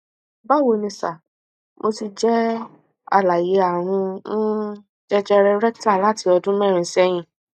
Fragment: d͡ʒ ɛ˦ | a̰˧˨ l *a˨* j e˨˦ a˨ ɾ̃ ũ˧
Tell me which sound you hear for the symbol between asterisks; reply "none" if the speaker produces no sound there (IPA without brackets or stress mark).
a˨